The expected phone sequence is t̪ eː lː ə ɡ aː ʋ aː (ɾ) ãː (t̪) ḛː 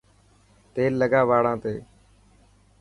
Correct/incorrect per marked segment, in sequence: incorrect, correct

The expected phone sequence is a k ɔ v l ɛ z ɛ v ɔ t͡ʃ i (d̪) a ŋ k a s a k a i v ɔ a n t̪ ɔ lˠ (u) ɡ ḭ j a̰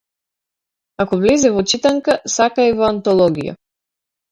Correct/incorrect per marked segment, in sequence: incorrect, incorrect

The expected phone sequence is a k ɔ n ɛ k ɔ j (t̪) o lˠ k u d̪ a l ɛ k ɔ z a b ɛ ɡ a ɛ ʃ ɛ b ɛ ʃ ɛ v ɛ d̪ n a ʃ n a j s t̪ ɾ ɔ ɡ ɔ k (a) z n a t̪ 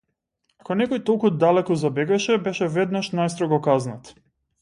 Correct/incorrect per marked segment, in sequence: correct, correct

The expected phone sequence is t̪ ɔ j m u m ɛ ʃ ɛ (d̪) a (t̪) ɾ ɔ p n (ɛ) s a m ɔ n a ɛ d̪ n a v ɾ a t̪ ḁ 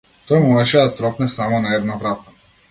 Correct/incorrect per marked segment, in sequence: correct, correct, correct

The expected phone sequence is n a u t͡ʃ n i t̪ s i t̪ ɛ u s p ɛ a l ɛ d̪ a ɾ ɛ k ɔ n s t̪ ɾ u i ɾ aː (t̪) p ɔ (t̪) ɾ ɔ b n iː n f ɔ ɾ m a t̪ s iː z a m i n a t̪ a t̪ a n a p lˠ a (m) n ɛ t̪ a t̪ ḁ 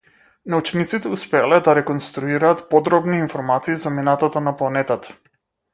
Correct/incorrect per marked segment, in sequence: correct, incorrect, incorrect

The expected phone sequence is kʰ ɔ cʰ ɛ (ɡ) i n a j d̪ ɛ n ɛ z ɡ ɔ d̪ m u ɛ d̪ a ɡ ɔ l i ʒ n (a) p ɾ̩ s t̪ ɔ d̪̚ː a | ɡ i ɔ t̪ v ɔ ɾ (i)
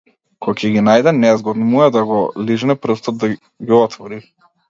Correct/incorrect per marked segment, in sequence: correct, incorrect, correct

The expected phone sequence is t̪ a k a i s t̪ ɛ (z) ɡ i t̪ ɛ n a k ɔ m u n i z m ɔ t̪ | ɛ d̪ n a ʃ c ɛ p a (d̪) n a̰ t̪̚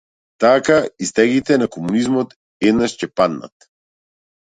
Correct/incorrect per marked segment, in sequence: incorrect, correct

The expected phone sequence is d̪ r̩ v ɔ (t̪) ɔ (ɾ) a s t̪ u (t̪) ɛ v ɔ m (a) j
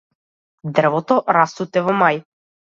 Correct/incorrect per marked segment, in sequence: correct, correct, correct, correct

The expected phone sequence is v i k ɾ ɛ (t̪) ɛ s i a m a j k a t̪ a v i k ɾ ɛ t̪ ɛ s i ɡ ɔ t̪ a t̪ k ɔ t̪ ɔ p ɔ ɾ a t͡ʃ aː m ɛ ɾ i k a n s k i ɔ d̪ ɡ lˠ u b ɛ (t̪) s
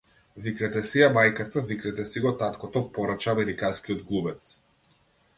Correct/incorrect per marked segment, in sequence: correct, correct

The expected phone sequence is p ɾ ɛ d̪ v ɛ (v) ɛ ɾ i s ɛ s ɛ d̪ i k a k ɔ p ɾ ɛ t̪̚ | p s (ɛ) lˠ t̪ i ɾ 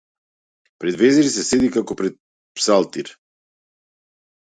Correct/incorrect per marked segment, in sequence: incorrect, incorrect

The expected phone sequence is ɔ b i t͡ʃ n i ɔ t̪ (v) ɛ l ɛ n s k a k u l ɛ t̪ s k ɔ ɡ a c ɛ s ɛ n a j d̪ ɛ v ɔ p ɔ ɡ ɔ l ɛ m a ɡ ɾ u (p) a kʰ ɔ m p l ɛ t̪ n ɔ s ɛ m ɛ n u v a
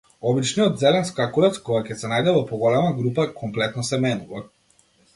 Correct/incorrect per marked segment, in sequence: incorrect, correct

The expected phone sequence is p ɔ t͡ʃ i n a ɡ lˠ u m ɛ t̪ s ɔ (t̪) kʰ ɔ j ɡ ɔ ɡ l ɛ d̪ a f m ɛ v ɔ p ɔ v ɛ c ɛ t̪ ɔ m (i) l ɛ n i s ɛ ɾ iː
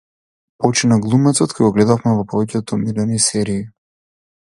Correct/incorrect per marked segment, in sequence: correct, correct

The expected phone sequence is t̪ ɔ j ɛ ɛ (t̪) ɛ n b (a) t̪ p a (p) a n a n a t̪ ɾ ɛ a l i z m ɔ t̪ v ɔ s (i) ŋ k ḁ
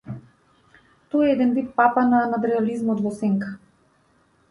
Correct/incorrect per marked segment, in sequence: incorrect, incorrect, correct, incorrect

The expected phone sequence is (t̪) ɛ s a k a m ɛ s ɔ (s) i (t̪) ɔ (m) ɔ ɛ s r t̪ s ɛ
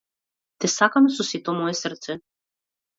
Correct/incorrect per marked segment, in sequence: correct, correct, correct, correct

